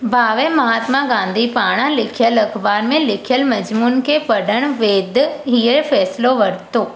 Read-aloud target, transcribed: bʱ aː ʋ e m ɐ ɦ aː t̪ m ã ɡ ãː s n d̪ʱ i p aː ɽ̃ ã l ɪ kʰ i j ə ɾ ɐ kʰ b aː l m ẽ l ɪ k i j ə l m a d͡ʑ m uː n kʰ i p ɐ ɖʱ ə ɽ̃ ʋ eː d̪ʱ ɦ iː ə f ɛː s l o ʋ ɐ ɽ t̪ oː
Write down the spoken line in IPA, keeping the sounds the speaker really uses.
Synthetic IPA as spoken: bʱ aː ʋ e m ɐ ɦ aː t̪ m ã ɡ ãː n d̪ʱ i p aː ɽ̃ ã l ɪ kʰ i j ə l ɐ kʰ b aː ɾ m ẽ l ɪ kʰ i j ə l m ɐ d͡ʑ m uː n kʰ e p ɐ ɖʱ ə ɽ̃ ʋ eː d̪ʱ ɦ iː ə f ɛː s l o ʋ ɐ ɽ t̪ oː